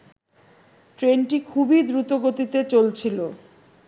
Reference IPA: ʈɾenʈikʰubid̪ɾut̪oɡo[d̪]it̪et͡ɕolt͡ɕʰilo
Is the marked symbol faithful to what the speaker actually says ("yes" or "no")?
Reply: no